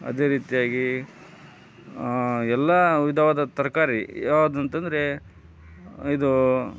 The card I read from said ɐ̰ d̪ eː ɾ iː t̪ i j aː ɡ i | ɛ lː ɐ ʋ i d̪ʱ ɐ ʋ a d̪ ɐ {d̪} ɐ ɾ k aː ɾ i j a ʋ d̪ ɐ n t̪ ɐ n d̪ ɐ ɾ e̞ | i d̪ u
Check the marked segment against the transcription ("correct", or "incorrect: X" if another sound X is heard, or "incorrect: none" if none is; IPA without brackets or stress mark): incorrect: t̪